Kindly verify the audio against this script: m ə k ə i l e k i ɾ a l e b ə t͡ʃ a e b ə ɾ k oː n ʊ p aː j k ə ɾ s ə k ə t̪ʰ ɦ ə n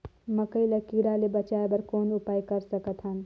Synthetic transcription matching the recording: m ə k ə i l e k i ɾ a l e b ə t͡ʃ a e b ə ɾ k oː n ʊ p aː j k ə ɾ s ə k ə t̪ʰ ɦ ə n